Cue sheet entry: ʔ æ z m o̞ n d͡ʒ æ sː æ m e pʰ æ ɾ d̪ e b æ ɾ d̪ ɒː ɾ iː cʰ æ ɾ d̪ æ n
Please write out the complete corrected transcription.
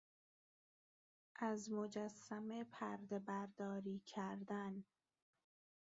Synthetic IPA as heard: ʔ æ z m o̞ d͡ʒ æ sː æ m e pʰ æ ɾ d̪ e b æ ɾ d̪ ɒː ɾ iː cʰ æ ɾ d̪ æ n

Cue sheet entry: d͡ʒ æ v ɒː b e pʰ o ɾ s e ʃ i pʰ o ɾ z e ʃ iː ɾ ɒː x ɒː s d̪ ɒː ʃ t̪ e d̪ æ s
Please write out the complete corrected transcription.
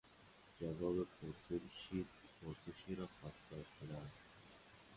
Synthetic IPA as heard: d͡ʒ æ v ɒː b e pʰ o ɾ s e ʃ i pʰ o ɾ s e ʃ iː ɾ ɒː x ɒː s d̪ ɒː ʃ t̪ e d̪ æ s

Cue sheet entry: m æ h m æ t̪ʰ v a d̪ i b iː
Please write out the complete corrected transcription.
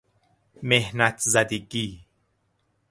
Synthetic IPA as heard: m e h n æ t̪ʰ z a d̪ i ɡ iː

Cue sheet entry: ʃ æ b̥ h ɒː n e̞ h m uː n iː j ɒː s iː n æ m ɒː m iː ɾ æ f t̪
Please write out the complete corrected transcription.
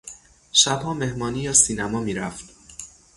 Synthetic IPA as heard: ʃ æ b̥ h ɒː m e̞ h m ɒː n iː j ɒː s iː n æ m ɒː m iː ɾ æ f t̪

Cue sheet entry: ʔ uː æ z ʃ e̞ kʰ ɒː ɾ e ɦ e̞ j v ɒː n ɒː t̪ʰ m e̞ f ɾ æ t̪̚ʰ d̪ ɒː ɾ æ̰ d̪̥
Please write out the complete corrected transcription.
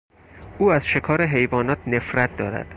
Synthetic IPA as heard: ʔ uː æ z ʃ e̞ kʰ ɒː ɾ e ɦ e̞ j v ɒː n ɒː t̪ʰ n e̞ f ɾ æ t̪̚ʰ d̪ ɒː ɾ æ̰ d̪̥

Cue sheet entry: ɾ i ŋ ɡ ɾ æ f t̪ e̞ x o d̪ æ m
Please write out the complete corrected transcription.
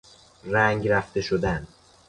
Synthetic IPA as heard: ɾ æ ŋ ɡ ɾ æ f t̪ e̞ ʃ o d̪ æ n

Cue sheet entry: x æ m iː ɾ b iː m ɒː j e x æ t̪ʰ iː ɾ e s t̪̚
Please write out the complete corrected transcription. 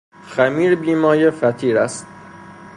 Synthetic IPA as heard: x æ m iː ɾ b iː m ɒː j e f æ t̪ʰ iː ɾ æ s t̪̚

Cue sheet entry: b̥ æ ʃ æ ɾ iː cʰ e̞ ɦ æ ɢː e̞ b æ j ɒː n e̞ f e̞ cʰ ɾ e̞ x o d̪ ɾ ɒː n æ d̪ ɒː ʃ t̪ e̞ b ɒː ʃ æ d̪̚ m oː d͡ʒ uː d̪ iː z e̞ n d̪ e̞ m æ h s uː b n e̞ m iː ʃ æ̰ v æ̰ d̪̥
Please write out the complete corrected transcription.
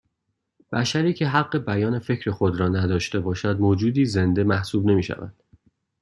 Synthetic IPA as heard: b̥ æ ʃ æ ɾ iː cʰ e̞ ɦ æ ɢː e̞ b æ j ɒː n e̞ f e̞ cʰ ɾ e̞ x o d̪ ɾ ɒː n æ d̪ ɒː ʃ t̪ e̞ b ɒː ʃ æ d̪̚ m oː d͡ʒ uː d̪ iː z e̞ n d̪ e̞ m æ h s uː b n e̞ m iː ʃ æ̰ v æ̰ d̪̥

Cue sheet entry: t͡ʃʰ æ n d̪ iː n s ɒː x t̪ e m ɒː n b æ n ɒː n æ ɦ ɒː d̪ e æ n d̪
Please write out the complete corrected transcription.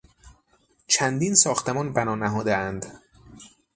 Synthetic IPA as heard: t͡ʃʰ æ n d̪ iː n s ɒː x t̪ e m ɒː n b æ n ɒː n æ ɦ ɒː d̪ e æ n d̪

